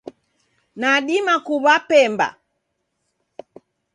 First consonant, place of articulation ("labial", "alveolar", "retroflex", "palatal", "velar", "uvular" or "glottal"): alveolar